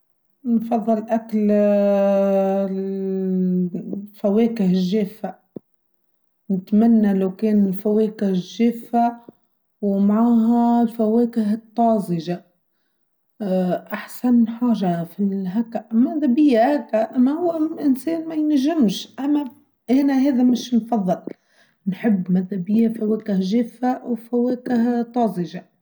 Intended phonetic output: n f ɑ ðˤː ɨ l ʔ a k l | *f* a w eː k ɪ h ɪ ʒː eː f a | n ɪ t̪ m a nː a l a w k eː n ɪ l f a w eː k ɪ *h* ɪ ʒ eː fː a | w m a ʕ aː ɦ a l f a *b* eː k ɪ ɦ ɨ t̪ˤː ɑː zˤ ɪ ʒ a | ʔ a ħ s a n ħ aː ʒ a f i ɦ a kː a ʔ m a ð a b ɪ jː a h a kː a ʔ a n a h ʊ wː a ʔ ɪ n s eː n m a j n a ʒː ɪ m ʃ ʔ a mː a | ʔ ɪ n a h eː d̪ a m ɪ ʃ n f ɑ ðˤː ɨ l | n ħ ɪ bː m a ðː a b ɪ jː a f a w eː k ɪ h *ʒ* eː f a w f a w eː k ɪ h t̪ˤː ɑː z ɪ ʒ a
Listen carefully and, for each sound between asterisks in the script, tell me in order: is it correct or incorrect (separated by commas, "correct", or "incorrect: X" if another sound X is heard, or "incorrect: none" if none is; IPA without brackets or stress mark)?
correct, correct, incorrect: w, correct